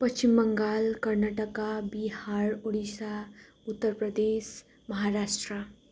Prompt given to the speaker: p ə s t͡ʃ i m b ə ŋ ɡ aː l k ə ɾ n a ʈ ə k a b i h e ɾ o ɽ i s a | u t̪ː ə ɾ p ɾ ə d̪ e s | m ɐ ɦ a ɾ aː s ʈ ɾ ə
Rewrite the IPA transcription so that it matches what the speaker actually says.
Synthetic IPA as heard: p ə s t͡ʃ i m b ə ŋ ɡ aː l k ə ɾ n a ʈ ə k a b i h a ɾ o ɽ i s a | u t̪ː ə ɾ p ɾ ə d̪ e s | m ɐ ɦ a ɾ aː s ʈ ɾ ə